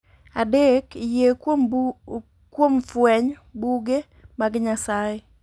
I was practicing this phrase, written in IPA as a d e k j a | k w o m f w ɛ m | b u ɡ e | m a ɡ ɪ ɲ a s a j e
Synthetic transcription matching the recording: a d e k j e | k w o m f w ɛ ɲ | b u ɡ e | m a ɡ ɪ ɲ a s a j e